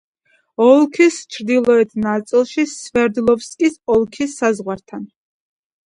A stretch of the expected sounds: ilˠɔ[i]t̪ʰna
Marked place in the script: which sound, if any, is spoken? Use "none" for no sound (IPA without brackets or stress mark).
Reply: ɛ